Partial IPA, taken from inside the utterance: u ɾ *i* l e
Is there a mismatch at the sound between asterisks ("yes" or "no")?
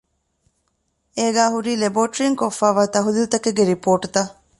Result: yes